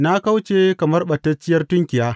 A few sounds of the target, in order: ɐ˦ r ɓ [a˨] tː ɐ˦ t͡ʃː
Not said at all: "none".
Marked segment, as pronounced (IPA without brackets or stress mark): ɐ˨